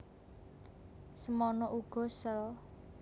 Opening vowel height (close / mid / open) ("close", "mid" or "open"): mid